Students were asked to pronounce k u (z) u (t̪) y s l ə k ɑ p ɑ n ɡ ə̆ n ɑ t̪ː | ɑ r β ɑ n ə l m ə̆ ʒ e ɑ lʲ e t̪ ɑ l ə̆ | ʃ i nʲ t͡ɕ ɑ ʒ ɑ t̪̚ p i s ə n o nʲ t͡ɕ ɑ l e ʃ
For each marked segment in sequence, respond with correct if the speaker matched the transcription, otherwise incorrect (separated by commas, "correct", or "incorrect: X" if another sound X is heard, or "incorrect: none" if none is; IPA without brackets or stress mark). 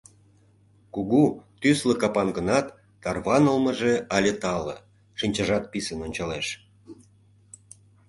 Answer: incorrect: ɣ, correct